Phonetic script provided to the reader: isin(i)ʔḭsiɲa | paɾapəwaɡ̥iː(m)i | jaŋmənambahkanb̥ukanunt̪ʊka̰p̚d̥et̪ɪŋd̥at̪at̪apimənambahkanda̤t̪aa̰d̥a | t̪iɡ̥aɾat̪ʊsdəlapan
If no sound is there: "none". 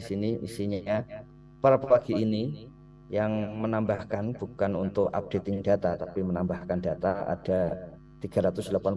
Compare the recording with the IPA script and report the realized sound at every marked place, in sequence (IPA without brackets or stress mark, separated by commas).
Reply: i, n